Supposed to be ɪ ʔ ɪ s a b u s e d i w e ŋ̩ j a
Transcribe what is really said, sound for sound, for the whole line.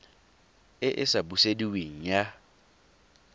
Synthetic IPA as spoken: ɪ ʔ ɪ s a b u s e d i w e ŋ̩ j a